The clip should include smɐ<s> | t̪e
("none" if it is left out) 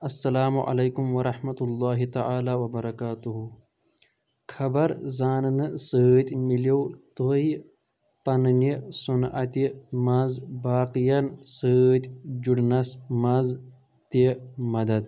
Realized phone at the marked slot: z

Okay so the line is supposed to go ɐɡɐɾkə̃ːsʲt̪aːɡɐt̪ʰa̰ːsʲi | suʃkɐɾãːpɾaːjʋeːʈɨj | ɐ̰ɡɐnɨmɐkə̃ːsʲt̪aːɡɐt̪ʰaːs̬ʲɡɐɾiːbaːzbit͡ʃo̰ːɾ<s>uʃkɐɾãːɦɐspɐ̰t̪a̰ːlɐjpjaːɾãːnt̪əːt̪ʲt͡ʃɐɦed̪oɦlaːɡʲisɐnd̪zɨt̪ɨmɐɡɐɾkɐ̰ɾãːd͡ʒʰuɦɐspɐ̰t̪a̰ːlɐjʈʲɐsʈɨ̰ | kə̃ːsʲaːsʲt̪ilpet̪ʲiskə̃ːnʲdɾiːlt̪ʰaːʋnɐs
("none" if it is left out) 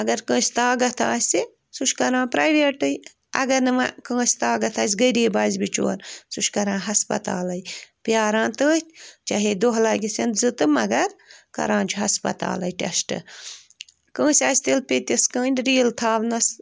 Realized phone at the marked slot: s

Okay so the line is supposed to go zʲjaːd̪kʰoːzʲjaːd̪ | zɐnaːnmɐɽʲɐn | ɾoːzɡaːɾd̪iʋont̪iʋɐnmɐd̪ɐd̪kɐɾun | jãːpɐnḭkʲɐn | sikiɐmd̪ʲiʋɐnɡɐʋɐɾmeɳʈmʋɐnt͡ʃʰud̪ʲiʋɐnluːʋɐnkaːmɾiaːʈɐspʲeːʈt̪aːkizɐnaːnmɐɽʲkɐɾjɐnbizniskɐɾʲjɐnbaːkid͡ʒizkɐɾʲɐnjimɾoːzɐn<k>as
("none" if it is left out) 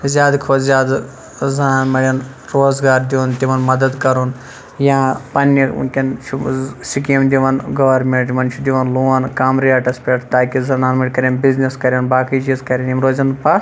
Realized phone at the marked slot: p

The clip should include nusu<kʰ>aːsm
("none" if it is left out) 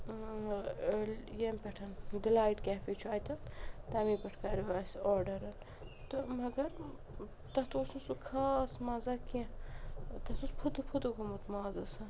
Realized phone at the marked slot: kʰ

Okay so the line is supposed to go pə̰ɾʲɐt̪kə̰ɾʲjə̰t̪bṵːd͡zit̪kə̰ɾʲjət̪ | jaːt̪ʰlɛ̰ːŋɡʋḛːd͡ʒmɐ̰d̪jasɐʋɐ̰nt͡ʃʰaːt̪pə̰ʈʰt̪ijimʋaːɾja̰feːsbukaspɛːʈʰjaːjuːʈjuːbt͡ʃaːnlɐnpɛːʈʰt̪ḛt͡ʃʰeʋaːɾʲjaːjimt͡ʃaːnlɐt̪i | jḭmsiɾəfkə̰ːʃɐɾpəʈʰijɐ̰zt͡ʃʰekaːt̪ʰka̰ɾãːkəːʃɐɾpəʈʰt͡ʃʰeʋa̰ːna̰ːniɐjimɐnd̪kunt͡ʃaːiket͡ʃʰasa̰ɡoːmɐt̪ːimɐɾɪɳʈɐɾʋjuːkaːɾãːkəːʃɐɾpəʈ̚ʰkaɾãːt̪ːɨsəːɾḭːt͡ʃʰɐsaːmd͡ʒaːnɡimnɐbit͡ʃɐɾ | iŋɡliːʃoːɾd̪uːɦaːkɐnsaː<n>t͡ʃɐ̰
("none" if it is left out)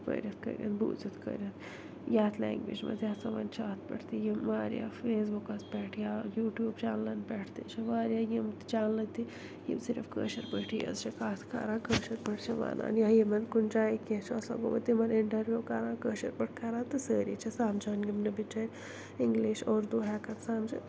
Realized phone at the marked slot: m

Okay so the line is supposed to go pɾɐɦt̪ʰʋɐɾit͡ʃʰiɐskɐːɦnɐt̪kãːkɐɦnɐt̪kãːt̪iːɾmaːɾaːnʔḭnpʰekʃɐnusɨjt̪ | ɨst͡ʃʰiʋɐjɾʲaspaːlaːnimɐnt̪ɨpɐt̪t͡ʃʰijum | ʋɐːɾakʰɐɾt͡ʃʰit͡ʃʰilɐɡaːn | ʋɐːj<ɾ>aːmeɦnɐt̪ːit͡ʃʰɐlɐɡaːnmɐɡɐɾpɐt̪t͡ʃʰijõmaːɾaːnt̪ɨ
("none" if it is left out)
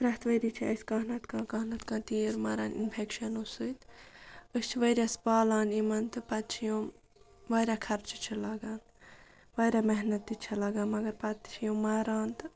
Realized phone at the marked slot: ɾ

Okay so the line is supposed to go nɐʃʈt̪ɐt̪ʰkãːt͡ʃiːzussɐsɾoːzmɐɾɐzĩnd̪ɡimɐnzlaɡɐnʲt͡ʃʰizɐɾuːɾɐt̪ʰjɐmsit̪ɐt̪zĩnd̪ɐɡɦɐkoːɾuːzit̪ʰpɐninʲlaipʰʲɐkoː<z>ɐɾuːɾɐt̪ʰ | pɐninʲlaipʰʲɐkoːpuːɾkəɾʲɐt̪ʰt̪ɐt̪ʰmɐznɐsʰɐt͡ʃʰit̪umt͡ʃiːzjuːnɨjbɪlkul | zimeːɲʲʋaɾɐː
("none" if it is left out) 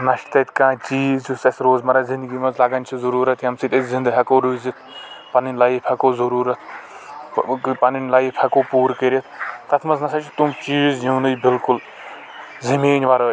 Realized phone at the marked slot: z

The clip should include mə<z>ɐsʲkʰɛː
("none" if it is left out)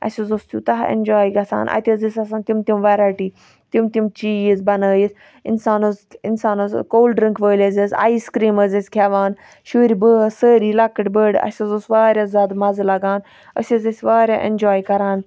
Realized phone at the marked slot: z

